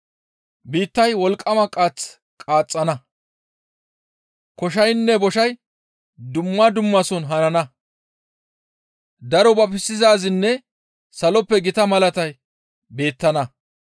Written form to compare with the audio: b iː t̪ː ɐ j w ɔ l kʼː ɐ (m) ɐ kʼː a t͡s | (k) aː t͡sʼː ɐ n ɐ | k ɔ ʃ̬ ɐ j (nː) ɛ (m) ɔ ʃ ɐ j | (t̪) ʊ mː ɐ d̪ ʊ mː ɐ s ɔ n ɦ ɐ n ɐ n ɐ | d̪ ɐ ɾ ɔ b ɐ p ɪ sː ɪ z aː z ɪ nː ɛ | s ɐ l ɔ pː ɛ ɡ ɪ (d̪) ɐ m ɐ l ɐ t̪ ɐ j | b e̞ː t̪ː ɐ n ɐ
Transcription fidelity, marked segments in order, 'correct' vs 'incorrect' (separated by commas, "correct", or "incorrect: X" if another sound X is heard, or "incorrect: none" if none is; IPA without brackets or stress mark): correct, incorrect: kʼ, correct, incorrect: b, incorrect: d̪, incorrect: t̪